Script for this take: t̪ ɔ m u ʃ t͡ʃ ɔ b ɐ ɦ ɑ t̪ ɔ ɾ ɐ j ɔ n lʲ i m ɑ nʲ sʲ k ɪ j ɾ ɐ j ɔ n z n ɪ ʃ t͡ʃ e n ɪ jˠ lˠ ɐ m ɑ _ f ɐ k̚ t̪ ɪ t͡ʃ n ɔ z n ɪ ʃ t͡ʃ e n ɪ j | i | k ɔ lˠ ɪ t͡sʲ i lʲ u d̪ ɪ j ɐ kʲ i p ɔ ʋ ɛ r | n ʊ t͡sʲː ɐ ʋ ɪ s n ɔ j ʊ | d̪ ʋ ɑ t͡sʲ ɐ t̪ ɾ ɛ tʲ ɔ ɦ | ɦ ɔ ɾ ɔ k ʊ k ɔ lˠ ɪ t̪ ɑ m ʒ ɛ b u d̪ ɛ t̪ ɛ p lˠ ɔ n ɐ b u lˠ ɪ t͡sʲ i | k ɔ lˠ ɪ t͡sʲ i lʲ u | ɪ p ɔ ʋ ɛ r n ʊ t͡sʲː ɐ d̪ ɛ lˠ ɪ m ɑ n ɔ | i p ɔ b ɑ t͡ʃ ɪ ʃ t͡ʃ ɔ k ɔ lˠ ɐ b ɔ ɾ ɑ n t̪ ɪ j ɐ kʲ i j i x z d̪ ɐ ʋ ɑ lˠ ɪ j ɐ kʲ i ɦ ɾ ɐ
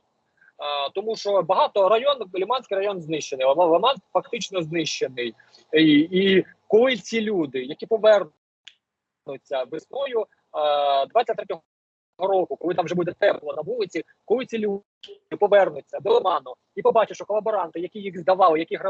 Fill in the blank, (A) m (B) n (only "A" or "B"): B